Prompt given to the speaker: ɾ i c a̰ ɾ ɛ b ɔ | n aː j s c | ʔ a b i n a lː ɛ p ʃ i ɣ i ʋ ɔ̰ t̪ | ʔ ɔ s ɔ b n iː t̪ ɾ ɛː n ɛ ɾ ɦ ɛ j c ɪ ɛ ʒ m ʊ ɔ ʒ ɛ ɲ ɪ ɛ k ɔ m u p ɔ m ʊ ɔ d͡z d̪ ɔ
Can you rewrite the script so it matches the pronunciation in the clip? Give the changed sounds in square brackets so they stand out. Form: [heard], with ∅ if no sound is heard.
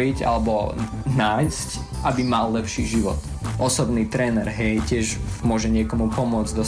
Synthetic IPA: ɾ i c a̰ [l] ɛ b ɔ | n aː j s c | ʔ a b i [m] a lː ɛ p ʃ i [ʒ] i ʋ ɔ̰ t̪ | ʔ ɔ s ɔ b n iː t̪ ɾ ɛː n ɛ ɾ ɦ ɛ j c ɪ ɛ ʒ m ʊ ɔ ʒ ɛ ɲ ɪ ɛ k ɔ m u p ɔ m ʊ ɔ d͡z d̪ ɔ